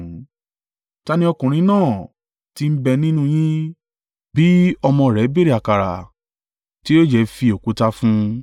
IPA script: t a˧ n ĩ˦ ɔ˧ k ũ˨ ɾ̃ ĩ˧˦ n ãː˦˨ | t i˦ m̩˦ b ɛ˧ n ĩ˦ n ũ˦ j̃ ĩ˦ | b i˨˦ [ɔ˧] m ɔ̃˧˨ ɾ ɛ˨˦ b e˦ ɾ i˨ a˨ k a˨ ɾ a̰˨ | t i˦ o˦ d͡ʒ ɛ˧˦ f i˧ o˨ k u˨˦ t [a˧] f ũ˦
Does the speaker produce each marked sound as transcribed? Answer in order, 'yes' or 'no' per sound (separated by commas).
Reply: yes, yes